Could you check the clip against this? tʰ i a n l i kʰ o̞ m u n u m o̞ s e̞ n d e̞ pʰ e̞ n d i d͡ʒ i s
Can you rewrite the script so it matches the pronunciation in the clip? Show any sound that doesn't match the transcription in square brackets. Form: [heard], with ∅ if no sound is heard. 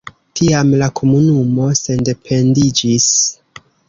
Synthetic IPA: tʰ i a [m] l [a] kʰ o̞ m u n u m o̞ s e̞ n d e̞ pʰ e̞ n d i d͡ʒ i s